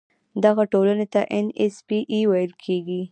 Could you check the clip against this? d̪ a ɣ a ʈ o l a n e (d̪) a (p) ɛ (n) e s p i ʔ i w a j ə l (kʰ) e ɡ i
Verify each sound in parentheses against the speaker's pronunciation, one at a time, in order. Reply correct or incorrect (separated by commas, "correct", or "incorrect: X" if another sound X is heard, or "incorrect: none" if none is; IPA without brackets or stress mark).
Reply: incorrect: t̪, incorrect: ʔ, correct, correct